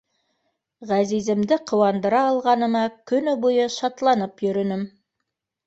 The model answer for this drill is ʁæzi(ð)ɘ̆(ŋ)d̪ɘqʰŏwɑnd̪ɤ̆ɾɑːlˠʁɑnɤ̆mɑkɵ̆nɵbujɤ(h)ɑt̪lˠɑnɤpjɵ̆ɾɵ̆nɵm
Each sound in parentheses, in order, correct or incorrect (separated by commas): incorrect, incorrect, incorrect